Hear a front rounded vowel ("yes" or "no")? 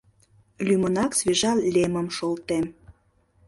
yes